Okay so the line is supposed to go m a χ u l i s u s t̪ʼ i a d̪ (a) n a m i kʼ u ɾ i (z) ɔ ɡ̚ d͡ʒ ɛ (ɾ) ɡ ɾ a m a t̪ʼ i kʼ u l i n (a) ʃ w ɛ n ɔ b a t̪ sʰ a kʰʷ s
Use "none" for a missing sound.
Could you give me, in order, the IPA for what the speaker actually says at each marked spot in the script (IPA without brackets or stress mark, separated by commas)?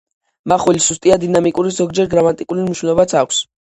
i, z, ɾ, i